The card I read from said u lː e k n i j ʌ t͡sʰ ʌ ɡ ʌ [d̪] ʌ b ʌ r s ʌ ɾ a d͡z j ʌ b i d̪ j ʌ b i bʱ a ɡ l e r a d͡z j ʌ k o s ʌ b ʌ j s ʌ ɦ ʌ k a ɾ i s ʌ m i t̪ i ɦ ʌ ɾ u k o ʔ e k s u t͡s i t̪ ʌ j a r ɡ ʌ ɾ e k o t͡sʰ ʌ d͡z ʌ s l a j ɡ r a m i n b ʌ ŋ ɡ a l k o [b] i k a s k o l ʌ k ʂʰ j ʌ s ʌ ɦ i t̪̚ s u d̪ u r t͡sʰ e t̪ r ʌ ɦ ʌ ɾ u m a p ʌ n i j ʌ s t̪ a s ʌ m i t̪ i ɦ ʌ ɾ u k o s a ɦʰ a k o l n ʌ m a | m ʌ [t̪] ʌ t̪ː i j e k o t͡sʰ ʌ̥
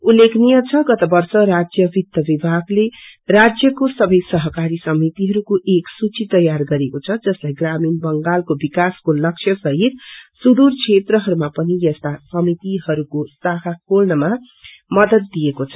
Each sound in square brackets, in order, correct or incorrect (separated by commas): incorrect, correct, incorrect